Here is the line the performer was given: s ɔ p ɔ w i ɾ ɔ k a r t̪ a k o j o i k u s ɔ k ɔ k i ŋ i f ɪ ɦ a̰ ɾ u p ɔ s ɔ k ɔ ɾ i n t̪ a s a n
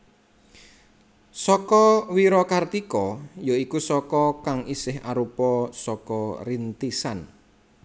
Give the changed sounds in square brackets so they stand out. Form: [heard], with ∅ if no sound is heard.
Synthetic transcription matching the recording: s ɔ [k] ɔ w i ɾ ɔ k a r t̪ [i] k [ɔ] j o i k u s ɔ k ɔ k [a] ŋ i [s] ɪ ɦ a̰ ɾ u p ɔ s ɔ k ɔ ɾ i n t̪ [i] s a n